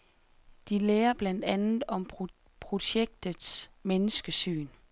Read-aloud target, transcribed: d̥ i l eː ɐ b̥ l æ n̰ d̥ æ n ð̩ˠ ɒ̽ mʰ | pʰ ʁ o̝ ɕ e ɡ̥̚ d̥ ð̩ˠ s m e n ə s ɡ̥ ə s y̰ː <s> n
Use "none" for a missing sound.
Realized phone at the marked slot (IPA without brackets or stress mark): none